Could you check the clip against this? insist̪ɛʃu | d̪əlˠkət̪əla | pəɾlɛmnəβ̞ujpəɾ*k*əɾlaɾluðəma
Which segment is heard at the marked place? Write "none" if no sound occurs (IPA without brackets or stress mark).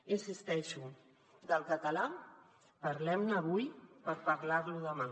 p